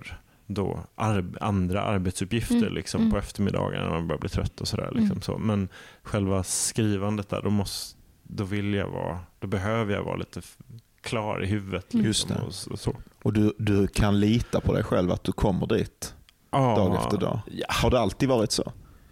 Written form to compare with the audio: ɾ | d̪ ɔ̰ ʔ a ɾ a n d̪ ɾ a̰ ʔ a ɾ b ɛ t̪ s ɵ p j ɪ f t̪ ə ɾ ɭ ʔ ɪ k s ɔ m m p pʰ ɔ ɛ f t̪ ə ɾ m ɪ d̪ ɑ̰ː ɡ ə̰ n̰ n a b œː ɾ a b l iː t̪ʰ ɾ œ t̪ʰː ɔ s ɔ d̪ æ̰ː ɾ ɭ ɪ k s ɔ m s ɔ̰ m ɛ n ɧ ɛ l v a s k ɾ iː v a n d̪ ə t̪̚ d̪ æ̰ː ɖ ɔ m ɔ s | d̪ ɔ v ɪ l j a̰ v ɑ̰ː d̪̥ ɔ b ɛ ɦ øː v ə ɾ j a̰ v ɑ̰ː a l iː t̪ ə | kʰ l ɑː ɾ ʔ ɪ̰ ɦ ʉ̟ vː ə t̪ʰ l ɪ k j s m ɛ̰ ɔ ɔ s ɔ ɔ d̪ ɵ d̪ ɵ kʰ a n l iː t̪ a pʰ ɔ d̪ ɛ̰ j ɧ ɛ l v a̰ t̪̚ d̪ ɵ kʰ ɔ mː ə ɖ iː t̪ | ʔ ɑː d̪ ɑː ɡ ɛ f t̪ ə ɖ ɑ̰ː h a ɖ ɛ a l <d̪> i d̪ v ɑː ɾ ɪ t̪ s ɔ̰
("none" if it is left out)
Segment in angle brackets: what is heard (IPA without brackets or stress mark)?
t̪